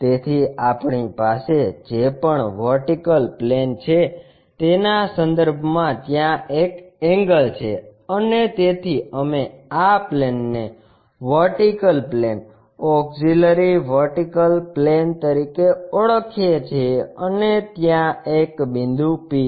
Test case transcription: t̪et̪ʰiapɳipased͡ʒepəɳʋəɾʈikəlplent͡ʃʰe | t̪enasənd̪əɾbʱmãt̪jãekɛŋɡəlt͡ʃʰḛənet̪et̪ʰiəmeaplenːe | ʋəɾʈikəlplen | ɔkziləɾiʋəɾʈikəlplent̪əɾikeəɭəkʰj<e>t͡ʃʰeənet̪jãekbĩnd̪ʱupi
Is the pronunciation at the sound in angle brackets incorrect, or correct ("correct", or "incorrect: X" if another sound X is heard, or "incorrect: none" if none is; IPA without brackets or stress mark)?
correct